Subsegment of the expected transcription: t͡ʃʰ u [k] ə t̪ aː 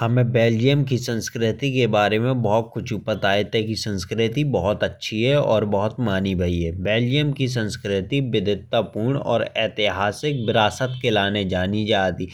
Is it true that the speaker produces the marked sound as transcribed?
no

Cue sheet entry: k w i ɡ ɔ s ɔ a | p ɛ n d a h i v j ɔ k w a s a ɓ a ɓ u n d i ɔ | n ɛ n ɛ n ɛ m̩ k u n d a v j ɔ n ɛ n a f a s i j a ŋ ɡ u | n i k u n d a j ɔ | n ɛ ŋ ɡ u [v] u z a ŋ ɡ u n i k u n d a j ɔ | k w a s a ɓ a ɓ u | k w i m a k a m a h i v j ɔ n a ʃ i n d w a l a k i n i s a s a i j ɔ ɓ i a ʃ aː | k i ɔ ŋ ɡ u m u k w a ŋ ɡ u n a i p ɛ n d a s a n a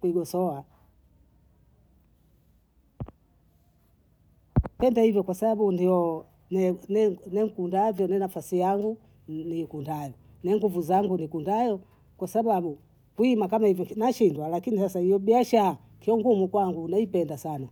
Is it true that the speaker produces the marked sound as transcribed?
yes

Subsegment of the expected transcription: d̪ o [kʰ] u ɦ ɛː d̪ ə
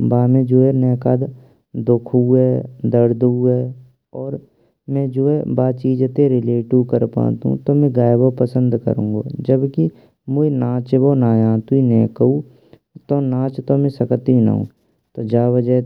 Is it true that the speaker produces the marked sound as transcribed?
yes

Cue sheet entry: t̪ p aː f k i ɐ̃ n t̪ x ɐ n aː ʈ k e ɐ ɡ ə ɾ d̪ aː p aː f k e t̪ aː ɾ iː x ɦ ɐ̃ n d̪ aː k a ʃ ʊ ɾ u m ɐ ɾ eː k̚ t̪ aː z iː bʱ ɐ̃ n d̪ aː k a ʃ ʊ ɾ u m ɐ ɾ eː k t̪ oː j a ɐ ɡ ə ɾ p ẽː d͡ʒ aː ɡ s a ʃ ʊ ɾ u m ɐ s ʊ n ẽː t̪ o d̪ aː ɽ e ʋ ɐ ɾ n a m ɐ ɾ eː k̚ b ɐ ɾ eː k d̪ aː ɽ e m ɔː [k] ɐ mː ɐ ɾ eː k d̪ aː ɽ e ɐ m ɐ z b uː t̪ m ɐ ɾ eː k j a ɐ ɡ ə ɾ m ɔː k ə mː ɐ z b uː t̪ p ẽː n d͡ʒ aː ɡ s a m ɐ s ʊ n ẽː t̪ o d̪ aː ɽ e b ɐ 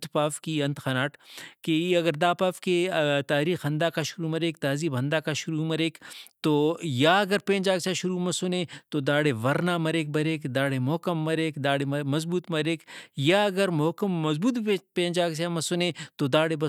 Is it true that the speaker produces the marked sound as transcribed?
yes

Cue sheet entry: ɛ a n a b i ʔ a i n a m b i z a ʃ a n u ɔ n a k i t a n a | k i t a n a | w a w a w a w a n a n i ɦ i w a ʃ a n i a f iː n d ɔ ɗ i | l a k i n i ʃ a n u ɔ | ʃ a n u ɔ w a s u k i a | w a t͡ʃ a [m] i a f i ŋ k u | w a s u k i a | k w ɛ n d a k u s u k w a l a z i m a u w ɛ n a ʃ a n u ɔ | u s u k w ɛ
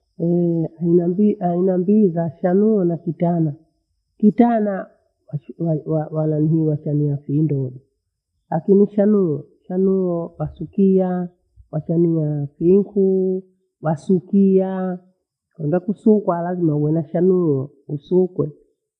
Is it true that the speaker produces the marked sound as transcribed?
no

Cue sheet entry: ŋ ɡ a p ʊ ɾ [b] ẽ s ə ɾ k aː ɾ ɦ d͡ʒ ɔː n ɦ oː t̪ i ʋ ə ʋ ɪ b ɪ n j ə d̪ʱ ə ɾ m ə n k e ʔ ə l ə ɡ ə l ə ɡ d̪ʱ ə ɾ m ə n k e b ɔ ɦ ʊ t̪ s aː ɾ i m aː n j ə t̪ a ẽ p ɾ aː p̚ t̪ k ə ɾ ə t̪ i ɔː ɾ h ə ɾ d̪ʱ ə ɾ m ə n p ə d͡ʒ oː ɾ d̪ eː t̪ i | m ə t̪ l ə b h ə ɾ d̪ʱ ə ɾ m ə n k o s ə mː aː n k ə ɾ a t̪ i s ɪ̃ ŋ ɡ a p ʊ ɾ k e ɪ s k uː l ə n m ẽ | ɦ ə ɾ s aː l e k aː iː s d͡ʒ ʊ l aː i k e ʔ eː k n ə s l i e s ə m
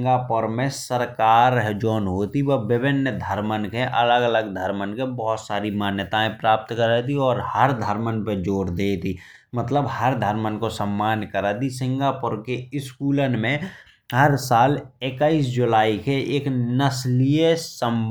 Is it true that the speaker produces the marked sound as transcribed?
no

